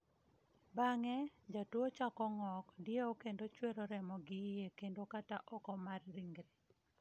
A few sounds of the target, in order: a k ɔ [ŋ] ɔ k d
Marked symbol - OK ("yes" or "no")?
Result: yes